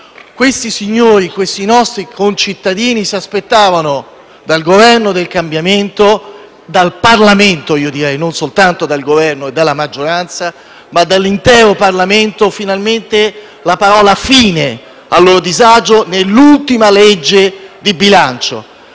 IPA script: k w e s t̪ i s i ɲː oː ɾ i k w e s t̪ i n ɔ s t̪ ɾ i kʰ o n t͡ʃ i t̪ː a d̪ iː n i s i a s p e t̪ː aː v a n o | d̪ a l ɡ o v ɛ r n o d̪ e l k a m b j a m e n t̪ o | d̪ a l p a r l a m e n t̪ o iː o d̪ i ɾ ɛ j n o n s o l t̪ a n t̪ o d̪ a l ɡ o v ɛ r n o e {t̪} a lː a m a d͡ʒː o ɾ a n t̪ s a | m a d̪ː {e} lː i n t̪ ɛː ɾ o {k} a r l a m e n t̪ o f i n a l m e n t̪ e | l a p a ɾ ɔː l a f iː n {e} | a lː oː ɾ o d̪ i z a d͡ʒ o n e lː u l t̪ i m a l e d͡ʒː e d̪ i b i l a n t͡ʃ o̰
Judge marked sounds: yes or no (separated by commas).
no, no, no, yes